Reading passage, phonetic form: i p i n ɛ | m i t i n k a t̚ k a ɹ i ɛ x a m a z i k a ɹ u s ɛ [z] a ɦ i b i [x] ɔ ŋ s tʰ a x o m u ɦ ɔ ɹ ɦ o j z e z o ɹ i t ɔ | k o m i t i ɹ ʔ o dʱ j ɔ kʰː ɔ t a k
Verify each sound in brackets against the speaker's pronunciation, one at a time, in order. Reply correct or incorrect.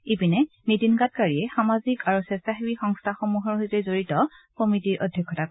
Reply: incorrect, correct

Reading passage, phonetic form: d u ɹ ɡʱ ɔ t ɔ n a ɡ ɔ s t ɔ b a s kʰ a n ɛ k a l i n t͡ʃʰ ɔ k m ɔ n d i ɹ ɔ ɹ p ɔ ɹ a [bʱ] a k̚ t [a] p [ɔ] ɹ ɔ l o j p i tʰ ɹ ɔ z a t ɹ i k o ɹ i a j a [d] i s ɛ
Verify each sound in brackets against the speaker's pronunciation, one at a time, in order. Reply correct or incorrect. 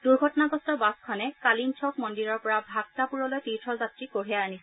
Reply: correct, correct, incorrect, incorrect

